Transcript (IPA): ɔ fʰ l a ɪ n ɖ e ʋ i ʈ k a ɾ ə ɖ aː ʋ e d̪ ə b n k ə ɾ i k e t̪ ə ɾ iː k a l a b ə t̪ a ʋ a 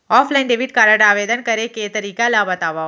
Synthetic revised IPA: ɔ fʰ l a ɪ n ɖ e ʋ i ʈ k a ɾ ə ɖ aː ʋ e d̪ ə n k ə ɾ e k e t̪ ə ɾ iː k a l a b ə t̪ a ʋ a